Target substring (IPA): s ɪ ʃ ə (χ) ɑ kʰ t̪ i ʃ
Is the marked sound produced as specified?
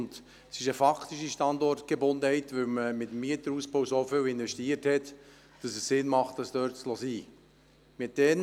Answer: no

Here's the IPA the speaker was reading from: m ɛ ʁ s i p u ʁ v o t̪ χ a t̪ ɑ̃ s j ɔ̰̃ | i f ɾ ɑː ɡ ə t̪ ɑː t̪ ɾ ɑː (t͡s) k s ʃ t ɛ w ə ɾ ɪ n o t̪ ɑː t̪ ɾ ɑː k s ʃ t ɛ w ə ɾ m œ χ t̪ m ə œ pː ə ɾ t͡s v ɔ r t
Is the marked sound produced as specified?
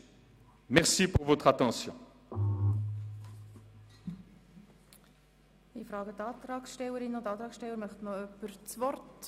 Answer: no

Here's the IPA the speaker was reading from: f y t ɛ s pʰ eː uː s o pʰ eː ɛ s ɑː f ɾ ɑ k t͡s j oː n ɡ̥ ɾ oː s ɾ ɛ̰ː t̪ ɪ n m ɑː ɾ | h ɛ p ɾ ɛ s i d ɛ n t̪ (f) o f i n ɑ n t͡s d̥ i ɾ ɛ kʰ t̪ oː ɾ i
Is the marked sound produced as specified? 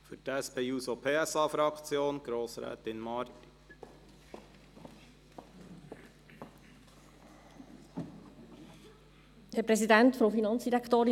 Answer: yes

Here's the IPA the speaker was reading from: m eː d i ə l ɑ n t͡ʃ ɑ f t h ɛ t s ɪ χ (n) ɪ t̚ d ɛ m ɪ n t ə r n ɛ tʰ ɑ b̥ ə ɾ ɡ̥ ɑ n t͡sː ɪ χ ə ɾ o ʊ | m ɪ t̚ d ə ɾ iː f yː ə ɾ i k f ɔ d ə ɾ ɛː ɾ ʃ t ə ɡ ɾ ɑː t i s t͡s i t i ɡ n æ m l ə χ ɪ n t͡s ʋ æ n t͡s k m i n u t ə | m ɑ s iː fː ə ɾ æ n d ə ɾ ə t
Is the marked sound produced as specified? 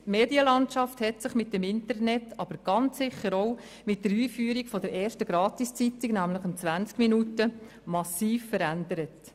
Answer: no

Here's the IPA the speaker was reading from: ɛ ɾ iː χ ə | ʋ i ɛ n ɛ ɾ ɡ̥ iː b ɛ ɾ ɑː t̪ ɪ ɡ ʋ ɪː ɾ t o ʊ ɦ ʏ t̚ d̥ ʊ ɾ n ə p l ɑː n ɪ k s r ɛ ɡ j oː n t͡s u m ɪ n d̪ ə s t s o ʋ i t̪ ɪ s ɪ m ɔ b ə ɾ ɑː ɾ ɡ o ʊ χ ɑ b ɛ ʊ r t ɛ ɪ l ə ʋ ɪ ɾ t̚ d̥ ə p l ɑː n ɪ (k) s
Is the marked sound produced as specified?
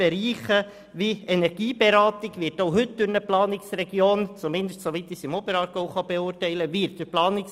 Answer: yes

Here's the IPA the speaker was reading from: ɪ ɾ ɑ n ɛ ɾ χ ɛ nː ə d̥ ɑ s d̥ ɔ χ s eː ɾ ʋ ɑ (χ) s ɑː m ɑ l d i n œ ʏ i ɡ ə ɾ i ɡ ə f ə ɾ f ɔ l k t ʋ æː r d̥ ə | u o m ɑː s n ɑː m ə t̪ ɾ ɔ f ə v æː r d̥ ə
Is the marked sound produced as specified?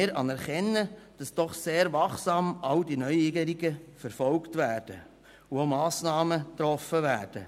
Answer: yes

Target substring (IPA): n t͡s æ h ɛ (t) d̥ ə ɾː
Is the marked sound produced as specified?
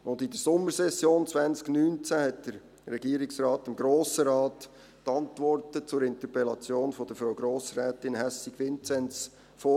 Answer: yes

